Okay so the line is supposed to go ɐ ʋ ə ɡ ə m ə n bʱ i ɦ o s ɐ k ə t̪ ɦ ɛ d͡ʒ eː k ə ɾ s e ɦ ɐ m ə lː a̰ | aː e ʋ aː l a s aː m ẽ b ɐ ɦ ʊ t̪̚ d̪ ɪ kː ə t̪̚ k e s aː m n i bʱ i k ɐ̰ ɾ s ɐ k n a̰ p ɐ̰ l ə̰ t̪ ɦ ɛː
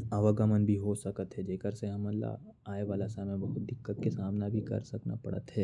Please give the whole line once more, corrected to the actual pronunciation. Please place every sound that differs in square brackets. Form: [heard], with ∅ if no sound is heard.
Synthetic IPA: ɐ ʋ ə ɡ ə m ə n bʱ i ɦ o s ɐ k ə t̪ ɦ ɛ d͡ʒ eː k ə ɾ s e ɦ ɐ m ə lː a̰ | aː e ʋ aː l a s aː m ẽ b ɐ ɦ ʊ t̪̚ d̪ ɪ kː ə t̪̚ k e s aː m n [a] bʱ i k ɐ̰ ɾ s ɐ k n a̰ p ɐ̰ [ɽ] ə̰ t̪ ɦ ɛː

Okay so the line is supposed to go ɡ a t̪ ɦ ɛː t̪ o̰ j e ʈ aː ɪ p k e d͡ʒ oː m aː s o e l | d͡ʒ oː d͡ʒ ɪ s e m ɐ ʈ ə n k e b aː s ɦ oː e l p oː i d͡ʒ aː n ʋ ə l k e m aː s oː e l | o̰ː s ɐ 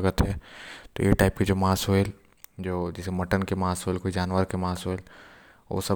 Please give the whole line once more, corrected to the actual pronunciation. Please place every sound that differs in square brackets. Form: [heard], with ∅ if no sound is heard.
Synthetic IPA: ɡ [ə] t̪ ɦ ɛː t̪ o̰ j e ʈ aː ɪ p k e d͡ʒ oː m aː s o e l | d͡ʒ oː d͡ʒ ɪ s e m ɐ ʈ ə n k e [m] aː s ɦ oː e l [k] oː i d͡ʒ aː n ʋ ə [ɾ] k e m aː s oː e l | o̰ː s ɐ

